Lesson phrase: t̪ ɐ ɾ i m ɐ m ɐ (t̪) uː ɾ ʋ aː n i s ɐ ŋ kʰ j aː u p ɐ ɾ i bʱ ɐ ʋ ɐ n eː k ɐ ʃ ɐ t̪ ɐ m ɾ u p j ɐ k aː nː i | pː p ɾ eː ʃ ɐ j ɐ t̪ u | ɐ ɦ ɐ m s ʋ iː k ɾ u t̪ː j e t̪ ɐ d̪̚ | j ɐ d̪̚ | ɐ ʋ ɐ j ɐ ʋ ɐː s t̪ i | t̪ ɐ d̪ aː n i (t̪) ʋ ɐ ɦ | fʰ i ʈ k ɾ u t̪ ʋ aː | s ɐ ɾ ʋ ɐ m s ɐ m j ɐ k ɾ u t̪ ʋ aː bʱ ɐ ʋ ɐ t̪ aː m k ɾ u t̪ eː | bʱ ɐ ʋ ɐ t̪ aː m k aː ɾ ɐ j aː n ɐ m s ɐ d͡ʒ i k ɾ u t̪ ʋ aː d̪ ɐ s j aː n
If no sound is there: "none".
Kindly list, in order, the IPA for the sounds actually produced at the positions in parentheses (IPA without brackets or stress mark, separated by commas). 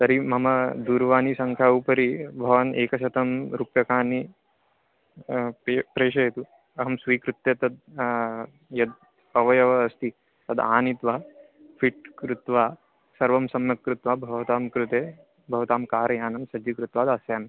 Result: d̪, t̪